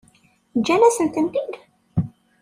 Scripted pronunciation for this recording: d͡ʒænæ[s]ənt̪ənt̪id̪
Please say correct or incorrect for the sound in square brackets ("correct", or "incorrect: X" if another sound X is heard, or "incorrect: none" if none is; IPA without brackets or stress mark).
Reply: correct